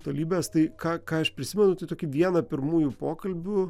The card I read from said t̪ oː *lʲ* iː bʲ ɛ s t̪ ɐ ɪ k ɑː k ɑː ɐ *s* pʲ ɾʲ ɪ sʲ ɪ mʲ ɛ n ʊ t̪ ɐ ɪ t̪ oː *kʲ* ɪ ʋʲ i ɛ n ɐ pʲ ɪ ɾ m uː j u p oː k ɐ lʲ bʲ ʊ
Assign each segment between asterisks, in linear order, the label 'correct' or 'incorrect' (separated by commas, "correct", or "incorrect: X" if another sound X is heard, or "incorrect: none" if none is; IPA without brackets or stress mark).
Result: correct, incorrect: ʃ, correct